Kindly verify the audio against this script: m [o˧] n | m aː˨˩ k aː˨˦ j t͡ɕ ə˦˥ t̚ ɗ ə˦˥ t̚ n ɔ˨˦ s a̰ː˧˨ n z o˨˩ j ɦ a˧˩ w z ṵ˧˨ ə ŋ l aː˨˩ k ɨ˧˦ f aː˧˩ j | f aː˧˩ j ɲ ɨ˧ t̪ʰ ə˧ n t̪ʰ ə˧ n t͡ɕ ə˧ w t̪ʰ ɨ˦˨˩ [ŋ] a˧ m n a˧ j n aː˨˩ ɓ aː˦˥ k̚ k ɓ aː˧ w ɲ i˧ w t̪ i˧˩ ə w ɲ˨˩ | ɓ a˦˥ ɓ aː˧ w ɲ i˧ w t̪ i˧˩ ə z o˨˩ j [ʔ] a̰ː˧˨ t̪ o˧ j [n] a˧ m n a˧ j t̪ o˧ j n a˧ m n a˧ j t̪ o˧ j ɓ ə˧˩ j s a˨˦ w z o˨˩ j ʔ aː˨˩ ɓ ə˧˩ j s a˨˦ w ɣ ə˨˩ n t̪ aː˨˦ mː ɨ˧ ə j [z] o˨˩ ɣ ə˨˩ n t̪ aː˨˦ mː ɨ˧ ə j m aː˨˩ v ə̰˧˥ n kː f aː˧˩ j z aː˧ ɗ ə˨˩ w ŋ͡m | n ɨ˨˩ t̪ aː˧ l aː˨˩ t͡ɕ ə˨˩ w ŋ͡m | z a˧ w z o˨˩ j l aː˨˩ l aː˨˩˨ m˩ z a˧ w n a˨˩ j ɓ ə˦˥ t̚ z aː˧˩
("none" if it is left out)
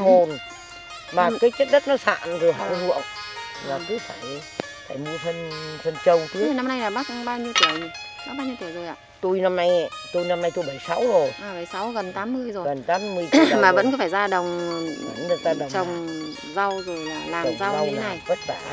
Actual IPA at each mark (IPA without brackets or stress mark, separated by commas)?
o˨˩, n, ʔ, n, z